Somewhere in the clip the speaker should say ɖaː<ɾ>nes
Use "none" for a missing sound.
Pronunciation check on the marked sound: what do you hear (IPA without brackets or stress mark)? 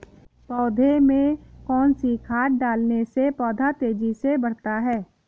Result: l